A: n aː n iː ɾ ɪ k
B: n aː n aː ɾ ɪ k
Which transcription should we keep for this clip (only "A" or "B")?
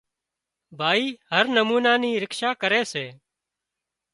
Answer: A